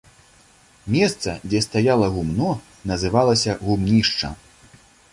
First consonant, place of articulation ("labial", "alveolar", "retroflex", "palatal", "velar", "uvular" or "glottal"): labial